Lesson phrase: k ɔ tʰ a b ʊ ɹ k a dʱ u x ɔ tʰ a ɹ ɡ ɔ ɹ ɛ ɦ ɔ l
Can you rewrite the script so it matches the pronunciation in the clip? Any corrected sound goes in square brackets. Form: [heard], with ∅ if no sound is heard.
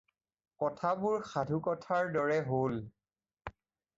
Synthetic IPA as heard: k ɔ tʰ a b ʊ ɹ [x] a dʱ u [k] ɔ tʰ a ɹ [d] ɔ ɹ ɛ ɦ [o] l